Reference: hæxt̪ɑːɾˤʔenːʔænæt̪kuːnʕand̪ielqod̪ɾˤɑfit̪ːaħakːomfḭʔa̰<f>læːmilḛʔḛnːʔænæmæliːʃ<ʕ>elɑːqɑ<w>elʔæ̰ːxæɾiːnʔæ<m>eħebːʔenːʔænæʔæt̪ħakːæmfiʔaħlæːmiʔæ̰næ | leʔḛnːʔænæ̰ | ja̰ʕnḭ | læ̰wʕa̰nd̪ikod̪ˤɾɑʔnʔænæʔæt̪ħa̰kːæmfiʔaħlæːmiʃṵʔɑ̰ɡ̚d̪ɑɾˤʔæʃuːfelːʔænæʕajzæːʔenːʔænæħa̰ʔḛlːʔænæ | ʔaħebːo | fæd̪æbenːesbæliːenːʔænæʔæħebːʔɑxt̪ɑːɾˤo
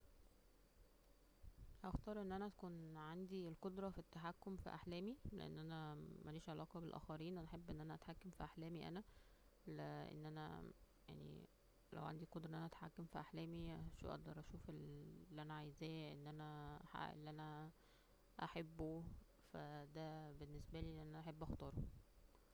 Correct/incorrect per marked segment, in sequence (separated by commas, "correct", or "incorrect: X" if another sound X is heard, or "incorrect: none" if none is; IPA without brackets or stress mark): incorrect: ħ, correct, incorrect: b, incorrect: n